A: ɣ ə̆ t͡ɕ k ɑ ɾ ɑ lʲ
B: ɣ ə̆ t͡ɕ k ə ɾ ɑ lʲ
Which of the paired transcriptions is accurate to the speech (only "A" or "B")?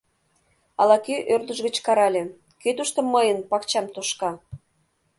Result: A